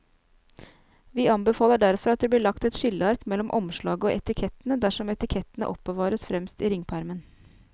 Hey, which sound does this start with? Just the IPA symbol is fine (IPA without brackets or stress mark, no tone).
ʋ